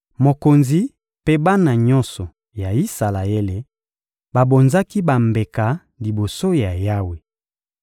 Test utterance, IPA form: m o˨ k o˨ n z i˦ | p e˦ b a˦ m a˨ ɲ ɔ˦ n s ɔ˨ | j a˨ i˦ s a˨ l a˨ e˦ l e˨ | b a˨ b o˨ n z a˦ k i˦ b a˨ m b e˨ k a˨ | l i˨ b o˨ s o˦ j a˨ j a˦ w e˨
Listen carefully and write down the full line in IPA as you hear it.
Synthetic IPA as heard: m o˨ k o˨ n z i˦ | p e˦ b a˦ n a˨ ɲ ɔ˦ n s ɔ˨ | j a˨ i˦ s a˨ l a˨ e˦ l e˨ | b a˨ b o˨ n z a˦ k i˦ b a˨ m b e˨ k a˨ | l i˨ b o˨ s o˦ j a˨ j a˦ w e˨